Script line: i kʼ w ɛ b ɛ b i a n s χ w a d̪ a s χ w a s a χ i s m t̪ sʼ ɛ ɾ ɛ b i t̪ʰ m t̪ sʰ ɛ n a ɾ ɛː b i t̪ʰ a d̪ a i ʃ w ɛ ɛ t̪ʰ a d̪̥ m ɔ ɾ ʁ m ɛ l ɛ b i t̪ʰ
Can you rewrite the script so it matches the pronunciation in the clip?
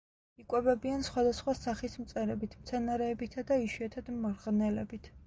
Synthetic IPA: i kʼ w ɛ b ɛ b i a n s χ w a d̪ a s χ w a s a χ i s m t̪ sʼ ɛ ɾ ɛ b i t̪ʰ m t̪ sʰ ɛ n a ɾ ɛː b i t̪ʰ a d̪ a i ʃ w i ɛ t̪ʰ a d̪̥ m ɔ ɾ ʁ n ɛ l ɛ b i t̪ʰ

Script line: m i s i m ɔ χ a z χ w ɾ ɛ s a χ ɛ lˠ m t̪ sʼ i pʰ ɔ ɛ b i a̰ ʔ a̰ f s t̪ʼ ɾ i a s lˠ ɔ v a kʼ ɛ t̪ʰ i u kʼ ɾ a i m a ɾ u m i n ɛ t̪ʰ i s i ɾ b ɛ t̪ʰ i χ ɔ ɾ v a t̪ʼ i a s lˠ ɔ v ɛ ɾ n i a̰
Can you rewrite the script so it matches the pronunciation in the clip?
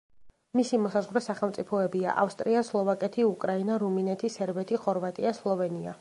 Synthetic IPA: m i s i m ɔ s a z ʁ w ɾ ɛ s a χ ɛ lˠ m t̪ sʼ i pʰ ɔ ɛ b i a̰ ʔ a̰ f s t̪ʼ ɾ i a s lˠ ɔ v a kʼ ɛ t̪ʰ i u kʼ ɾ a i n a ɾ u m i n ɛ t̪ʰ i s ɛ ɾ b ɛ t̪ʰ i χ ɔ ɾ v a t̪ʼ i a s lˠ ɔ v ɛ n i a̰

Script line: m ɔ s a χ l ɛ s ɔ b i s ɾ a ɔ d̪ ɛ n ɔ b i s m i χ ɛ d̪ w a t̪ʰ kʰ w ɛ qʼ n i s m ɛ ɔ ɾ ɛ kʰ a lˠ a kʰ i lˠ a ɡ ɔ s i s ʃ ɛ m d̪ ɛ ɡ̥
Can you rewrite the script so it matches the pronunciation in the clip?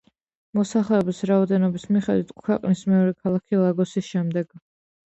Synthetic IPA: m ɔ s a χ l ɛ ɔ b i s ɾ a ɔ d̪ ɛ n ɔ b i s m i χ ɛ d̪ w i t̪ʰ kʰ w ɛ qʼ n i s m ɛ ɔ ɾ ɛ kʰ a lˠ a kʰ i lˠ a ɡ ɔ s i s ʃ ɛ m d̪ ɛ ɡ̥

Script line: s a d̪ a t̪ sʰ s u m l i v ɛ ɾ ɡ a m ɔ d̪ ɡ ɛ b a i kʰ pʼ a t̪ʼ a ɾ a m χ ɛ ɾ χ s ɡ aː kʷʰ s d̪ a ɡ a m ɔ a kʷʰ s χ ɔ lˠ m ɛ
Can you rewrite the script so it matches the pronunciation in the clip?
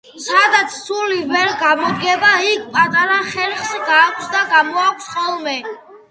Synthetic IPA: s a d̪ a t̪ sʰ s u l i v ɛ ɾ ɡ a m ɔ d̪ ɡ ɛ b a i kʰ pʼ a t̪ʼ a ɾ a χ ɛ ɾ χ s ɡ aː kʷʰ s d̪ a ɡ a m ɔ a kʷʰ s χ ɔ lˠ m ɛ

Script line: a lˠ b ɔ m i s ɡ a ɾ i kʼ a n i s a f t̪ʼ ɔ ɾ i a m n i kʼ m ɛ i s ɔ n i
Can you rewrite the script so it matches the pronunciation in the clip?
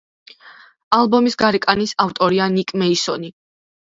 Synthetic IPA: a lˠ b ɔ m i s ɡ a ɾ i kʼ a n i s a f t̪ʼ ɔ ɾ i a n i kʼ m ɛ i s ɔ n i

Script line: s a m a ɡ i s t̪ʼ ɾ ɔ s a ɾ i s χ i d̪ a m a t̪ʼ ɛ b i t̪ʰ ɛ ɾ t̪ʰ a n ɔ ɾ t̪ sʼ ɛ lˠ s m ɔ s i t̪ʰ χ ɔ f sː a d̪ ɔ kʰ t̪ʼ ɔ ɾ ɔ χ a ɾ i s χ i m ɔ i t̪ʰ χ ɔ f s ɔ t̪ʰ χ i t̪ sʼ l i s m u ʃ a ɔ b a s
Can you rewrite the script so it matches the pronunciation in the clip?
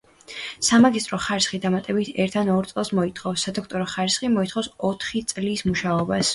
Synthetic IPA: s a m a ɡ i s t̪ʼ ɾ ɔ χ a ɾ i s χ i d̪ a m a t̪ʼ ɛ b i t̪ʰ ɛ ɾ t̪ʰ a n ɔ ɾ t̪ sʼ ɛ lˠ s m ɔ i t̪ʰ χ ɔ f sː a d̪ ɔ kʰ t̪ʼ ɔ ɾ ɔ χ a ɾ i s χ i m ɔ i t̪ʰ χ ɔ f s ɔ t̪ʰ χ i t̪ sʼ l i s m u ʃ a ɔ b a s

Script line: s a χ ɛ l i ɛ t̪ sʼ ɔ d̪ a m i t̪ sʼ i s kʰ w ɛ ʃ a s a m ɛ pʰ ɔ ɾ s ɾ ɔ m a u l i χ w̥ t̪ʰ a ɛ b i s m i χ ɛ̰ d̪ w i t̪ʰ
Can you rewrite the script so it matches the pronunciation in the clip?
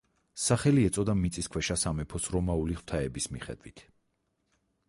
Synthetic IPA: s a χ ɛ l i ɛ t̪ sʼ ɔ d̪ a m i t̪ sʼ i s kʰ w ɛ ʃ a s a m ɛ pʰ ɔ s ɾ ɔ m a u l i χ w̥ t̪ʰ a ɛ b i s m i χ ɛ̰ d̪ w i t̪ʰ

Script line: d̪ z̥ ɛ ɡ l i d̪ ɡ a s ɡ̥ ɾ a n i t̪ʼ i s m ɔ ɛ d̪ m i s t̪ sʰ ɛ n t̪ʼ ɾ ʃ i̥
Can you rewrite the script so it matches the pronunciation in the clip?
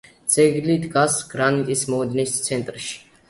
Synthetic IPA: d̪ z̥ ɛ ɡ l i d̪ ɡ a s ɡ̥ ɾ a n i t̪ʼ i s m ɔ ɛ d̪ n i s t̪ sʰ ɛ n t̪ʼ ɾ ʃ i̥

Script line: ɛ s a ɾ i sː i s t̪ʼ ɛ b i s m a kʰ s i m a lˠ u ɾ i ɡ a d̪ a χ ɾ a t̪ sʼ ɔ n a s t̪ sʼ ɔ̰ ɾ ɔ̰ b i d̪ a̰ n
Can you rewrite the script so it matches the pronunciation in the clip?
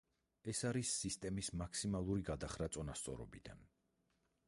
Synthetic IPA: ɛ s a ɾ i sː i s t̪ʼ ɛ m i s m a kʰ s i m a lˠ u ɾ i ɡ a d̪ a χ ɾ a t̪ sʼ ɔ n a s t̪ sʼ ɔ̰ ɾ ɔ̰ b i d̪ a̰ n

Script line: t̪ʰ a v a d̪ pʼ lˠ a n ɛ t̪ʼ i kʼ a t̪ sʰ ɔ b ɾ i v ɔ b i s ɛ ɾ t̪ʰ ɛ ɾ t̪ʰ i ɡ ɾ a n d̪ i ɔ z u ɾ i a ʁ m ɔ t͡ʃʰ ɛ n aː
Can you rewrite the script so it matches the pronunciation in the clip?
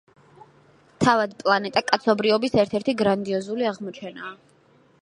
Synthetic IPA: t̪ʰ a v a d̪ pʼ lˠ a n ɛ t̪ʼ a kʼ a t̪ sʰ ɔ b ɾ i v ɔ b i s ɛ ɾ t̪ʰ ɛ ɾ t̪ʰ i ɡ ɾ a n d̪ i ɔ z u l i a ʁ m ɔ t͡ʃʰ ɛ n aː

